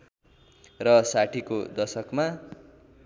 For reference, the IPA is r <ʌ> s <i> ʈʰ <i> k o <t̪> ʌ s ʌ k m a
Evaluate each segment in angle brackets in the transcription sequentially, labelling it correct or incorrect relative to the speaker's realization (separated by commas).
correct, incorrect, correct, incorrect